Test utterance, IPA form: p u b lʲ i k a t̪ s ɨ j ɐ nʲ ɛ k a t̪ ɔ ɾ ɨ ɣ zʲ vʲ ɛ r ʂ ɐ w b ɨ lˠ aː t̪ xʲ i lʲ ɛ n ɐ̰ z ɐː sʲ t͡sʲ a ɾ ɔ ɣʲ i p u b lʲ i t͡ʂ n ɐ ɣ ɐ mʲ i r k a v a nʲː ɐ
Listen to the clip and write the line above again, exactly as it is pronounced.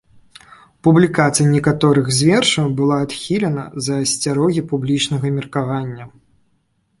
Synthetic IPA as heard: p u b lʲ i k a t̪ s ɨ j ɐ nʲ ɛ k a t̪ ɔ ɾ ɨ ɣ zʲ vʲ ɛ r ʂ ɐ w b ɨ lˠ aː t̪ xʲ i lʲ ɛ n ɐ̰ z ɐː sʲ t͡sʲ a ɾ ɔ ɣʲ i p u b lʲ i t͡ʂ n ɐ ɣ ɐ mʲ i r k a v a nʲː ɐ